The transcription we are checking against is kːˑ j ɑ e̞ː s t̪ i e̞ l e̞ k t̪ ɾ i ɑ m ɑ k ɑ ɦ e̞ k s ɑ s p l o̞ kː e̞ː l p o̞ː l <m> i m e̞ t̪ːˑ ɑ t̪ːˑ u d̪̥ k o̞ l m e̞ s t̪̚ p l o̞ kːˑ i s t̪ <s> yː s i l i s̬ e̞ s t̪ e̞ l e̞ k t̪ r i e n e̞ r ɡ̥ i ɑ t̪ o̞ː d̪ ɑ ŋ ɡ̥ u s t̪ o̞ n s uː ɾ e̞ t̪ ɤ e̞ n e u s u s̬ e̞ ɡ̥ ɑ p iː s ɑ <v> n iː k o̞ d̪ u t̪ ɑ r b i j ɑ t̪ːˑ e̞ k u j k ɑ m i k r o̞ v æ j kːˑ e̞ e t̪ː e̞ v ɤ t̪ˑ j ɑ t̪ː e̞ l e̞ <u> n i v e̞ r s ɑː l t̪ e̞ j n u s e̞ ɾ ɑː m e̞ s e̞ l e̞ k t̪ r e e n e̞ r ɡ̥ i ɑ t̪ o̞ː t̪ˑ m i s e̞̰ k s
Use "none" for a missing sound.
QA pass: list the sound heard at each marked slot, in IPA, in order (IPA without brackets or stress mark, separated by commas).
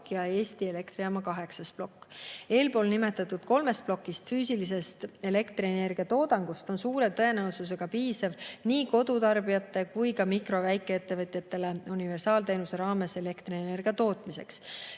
n, f, v, u